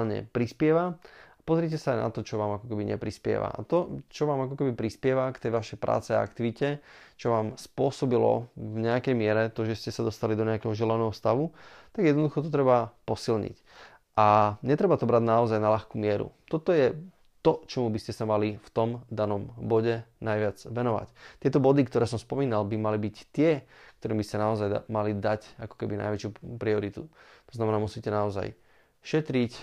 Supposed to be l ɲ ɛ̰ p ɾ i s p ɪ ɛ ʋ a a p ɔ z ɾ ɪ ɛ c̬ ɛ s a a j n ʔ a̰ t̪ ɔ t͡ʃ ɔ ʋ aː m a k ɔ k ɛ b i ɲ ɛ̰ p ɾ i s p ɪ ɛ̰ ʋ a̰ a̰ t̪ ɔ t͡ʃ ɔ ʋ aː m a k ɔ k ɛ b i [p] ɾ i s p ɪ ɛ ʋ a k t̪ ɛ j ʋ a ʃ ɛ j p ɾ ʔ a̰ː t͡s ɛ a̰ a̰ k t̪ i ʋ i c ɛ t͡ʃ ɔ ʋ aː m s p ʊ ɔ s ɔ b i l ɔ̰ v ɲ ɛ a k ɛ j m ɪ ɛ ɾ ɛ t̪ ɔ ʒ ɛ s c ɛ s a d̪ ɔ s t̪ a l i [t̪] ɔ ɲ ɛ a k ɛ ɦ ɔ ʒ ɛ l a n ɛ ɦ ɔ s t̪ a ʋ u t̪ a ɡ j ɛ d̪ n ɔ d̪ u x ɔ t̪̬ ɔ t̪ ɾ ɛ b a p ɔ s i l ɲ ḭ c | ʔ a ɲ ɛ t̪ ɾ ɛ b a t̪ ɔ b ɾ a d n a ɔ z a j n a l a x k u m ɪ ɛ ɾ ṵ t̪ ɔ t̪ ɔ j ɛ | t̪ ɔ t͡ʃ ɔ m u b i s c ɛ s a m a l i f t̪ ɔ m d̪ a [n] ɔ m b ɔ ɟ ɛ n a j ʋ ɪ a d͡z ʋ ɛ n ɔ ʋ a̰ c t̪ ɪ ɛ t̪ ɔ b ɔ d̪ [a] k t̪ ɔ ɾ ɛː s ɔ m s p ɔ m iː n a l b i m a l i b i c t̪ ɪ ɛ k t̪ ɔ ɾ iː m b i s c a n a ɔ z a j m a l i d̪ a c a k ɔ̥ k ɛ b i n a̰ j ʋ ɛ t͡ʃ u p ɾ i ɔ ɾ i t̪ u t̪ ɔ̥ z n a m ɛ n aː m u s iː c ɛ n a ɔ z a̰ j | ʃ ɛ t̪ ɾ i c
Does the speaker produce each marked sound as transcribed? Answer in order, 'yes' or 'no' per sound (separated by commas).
yes, no, yes, no